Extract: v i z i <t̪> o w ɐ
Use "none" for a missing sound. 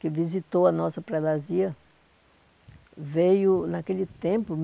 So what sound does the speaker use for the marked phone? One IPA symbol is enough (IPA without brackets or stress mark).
t̪